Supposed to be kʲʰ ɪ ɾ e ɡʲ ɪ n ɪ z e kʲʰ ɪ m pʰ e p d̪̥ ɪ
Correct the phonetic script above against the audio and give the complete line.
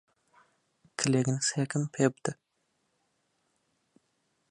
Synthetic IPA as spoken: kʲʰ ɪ l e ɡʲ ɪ n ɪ s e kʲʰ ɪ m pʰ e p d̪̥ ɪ